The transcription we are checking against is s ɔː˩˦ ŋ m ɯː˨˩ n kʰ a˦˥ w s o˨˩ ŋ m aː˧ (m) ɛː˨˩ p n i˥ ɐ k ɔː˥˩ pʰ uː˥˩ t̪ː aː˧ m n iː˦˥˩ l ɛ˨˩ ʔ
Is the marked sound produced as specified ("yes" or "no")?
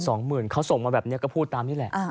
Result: no